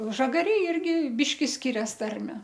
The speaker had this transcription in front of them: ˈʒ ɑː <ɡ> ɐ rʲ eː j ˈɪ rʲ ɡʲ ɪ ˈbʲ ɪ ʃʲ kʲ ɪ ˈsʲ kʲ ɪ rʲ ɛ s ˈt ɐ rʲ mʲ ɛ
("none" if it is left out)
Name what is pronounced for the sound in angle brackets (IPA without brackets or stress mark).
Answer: ɡ